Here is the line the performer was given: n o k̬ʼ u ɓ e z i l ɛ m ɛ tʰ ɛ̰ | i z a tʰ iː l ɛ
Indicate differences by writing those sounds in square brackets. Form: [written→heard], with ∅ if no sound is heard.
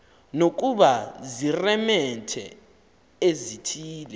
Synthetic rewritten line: n o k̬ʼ u ɓ [e→a] z i [l→r] ɛ m ɛ tʰ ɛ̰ | [i→e] z [a→i] tʰ iː l ɛ